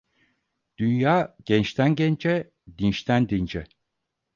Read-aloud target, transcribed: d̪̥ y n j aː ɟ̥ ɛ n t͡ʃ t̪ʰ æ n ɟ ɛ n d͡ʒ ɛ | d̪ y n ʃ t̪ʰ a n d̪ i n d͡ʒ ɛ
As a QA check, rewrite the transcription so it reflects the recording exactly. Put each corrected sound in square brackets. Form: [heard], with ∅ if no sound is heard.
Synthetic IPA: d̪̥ y n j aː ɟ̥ ɛ n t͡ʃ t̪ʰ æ n ɟ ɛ n d͡ʒ ɛ | d̪ [i] n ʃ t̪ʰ [æ] n d̪ i n d͡ʒ ɛ